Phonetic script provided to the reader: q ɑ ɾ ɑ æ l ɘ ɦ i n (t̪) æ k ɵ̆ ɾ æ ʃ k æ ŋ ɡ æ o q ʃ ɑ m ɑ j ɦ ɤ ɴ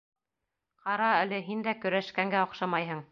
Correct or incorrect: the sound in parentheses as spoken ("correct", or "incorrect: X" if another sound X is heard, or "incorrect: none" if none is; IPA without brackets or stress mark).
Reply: incorrect: d̪